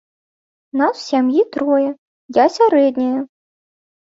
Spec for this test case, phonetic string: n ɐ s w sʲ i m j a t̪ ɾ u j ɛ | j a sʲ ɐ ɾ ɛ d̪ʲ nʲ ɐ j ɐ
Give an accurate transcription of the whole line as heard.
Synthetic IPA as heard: n a s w sʲ a m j i t̪ ɾ ɔ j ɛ | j a sʲ a ɾ ɛ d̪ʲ nʲ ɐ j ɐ